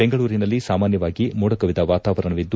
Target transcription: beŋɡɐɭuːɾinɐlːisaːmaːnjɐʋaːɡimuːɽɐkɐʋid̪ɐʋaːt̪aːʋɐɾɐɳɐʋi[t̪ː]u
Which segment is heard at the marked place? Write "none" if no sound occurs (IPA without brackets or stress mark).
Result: d̪ː